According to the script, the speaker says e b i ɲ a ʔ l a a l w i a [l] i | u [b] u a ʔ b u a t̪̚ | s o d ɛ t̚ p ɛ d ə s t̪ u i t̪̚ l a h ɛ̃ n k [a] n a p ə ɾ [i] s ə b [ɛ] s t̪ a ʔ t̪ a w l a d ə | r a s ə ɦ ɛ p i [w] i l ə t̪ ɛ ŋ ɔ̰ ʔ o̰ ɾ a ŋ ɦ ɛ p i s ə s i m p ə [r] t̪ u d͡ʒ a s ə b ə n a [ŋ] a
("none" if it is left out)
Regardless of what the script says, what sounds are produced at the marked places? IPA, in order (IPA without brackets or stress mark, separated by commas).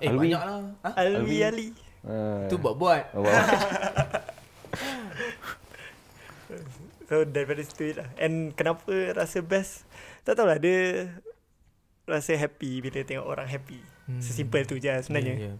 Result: l, b, ə, a, ɛ, b, l, ɲ